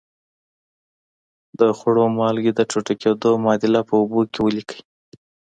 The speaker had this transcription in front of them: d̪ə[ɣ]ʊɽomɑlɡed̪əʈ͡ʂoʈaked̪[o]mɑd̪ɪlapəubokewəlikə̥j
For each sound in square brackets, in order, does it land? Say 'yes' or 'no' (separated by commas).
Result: no, yes